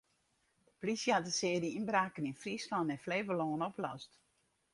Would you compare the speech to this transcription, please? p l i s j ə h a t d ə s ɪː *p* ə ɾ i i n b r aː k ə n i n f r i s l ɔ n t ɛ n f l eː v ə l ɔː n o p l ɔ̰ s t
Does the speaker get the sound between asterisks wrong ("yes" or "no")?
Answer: yes